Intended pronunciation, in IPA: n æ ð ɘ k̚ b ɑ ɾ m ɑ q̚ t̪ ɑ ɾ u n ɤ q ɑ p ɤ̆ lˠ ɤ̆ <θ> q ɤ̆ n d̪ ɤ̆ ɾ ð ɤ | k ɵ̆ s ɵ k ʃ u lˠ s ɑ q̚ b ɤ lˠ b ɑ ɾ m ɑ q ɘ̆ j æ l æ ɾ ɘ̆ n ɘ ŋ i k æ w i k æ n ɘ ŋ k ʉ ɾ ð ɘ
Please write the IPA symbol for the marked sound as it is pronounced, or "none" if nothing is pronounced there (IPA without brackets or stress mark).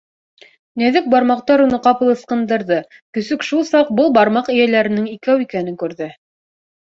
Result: s